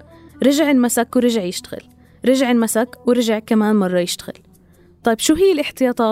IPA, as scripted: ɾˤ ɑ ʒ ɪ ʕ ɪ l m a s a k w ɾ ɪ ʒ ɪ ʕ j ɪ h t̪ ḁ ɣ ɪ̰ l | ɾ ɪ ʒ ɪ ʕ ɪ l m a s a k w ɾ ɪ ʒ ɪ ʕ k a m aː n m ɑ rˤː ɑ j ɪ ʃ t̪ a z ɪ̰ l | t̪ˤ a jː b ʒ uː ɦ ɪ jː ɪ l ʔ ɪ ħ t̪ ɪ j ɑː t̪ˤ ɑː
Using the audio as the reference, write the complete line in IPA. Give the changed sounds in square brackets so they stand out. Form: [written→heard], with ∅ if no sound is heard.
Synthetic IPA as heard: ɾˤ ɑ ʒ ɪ ʕ ɪ l m a s a k w ɾ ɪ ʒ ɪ ʕ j ɪ [h→ʃ] t̪ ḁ ɣ ɪ̰ l | ɾ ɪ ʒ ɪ ʕ ɪ l m a s a k w ɾ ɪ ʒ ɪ ʕ k a m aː n m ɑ rˤː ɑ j ɪ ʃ t̪ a [z→ɣ] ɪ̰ l | t̪ˤ [a→ɑ] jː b [ʒ→ʃ] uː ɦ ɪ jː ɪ l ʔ ɪ ħ t̪ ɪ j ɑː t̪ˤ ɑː